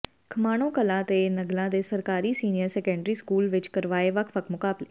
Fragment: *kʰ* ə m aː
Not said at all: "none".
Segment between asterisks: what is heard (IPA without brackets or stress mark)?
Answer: kʰ